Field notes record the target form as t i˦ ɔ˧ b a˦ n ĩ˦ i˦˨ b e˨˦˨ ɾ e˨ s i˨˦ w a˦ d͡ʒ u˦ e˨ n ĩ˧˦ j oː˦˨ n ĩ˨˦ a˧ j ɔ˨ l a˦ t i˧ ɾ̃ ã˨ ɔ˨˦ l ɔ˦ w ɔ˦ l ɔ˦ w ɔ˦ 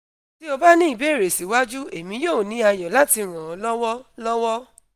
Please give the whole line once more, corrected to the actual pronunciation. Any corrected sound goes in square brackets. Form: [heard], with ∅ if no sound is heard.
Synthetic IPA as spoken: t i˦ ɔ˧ b a˦ n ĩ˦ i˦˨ b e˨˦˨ ɾ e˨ s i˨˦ w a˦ d͡ʒ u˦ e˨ [m] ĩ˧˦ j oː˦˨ n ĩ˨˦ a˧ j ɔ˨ l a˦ t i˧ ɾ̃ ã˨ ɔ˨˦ l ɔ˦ w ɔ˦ l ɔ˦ w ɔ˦